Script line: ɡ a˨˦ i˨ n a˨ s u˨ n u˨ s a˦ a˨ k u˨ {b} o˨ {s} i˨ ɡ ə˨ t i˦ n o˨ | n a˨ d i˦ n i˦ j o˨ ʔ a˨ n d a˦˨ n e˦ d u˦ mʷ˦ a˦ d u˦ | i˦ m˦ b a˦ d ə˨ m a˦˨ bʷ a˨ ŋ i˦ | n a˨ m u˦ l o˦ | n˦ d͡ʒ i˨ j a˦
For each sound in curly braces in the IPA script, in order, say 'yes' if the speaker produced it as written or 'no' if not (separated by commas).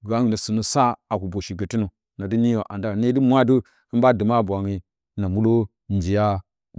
yes, no